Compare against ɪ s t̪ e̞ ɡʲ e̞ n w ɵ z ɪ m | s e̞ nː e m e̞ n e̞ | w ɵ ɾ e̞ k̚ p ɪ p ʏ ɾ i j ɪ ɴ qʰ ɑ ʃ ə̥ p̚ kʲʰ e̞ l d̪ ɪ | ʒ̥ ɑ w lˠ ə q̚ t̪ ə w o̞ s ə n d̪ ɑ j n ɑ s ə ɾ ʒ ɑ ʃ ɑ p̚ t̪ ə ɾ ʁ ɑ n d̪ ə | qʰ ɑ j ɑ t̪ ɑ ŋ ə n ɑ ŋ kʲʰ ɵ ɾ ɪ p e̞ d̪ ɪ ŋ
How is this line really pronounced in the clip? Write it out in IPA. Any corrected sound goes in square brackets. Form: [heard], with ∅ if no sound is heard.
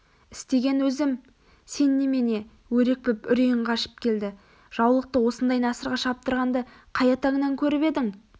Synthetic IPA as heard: ɪ s t̪ e̞ ɡʲ e̞ n w ɵ z ɪ m | s e̞ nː e m e̞ n e̞ | w ɵ ɾ e̞ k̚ p ɪ p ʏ ɾ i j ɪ ɴ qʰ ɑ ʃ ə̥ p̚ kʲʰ e̞ l d̪ ɪ | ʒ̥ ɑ w lˠ ə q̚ t̪ ə w o̞ s ə n d̪ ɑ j n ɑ s ə ɾ [ʁ] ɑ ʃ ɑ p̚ t̪ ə ɾ ʁ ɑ n d̪ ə | qʰ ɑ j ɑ t̪ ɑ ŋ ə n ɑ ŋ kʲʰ ɵ ɾ ɪ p e̞ d̪ ɪ ŋ

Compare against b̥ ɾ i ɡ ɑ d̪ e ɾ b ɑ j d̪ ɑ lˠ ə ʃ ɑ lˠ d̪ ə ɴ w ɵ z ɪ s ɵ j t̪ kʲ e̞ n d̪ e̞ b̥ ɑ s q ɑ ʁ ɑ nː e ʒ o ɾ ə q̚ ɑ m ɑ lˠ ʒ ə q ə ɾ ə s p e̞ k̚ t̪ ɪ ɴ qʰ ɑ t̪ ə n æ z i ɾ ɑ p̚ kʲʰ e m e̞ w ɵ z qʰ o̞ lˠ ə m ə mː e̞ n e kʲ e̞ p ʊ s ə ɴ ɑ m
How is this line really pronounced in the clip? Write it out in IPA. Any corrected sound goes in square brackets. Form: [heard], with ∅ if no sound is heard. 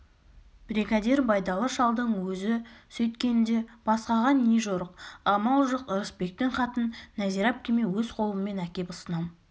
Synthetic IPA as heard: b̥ ɾ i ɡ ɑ d̪ e ɾ b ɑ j d̪ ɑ lˠ ə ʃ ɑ lˠ d̪ ə ɴ w ɵ z ɪ s ɵ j t̪ kʲ e̞ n d̪ e̞ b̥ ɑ s q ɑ ʁ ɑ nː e ʒ o ɾ ə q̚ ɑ m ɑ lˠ ʒ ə q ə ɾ ə s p e̞ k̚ t̪ ɪ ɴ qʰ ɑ t̪ ə [nː] æ z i ɾ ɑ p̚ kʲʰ e m e̞ w ɵ z qʰ o̞ lˠ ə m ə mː e̞ n [æ] kʲ e̞ p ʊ s ə [n] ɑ m

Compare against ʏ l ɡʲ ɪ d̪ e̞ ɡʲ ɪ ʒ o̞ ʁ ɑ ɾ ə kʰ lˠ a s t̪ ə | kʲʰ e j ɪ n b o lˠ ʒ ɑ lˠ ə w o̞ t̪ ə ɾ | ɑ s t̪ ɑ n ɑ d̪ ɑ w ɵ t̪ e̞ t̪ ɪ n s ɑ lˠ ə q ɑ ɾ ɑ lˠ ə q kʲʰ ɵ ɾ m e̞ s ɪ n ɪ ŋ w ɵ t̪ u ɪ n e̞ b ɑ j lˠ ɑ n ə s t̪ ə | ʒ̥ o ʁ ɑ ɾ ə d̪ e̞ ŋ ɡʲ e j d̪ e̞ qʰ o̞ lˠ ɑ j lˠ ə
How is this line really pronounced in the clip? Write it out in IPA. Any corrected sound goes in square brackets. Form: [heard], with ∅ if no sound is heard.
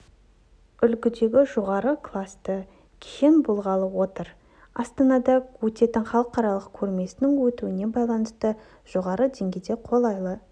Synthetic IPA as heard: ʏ l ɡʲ ɪ d̪ e̞ ɡʲ ɪ ʒ o̞ ʁ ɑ ɾ ə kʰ lˠ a s t̪ ə | kʲʰ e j ɪ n b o lˠ [ʁ] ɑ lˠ ə w o̞ t̪ ə ɾ | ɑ s t̪ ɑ n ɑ d̪ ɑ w ɵ t̪ e̞ t̪ ɪ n [χ] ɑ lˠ ə q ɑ ɾ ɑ lˠ ə q kʲʰ ɵ ɾ m e̞ s ɪ n ɪ ŋ w ɵ t̪ u ɪ n e̞ b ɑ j lˠ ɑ n ə s t̪ ə | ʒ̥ o ʁ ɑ ɾ ə d̪ e̞ ŋ ɡʲ e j d̪ e̞ qʰ o̞ lˠ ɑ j lˠ ə

